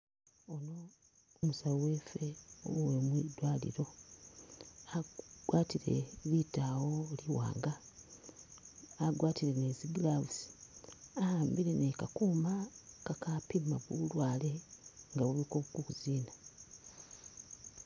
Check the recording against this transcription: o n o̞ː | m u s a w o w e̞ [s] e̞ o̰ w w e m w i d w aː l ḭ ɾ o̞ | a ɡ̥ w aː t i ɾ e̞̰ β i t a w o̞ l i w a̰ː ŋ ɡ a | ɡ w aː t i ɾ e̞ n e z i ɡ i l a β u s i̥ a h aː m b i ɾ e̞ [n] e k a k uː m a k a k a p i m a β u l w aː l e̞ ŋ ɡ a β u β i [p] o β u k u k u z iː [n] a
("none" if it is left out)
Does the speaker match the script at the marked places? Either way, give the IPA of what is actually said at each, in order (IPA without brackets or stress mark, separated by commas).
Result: f, n, k, n